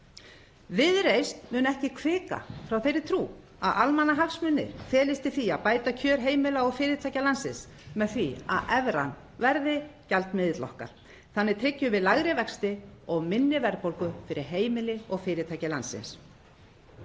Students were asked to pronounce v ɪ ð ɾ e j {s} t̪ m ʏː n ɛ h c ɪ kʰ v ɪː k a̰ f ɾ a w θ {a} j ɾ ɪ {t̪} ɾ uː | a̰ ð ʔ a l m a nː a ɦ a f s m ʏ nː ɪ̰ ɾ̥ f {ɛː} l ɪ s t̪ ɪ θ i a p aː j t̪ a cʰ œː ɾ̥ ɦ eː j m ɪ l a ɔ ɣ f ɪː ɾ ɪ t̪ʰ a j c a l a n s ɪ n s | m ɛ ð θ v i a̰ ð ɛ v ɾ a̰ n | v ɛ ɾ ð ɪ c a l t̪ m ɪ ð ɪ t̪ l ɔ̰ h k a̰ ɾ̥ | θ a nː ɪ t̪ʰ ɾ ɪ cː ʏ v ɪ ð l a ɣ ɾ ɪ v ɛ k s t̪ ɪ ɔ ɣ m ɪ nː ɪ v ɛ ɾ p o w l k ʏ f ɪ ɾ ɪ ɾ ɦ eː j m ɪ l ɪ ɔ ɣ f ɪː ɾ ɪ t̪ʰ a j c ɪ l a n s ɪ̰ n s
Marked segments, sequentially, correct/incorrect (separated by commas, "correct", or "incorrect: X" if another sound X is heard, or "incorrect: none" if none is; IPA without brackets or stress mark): correct, incorrect: e, incorrect: t̪ʰ, correct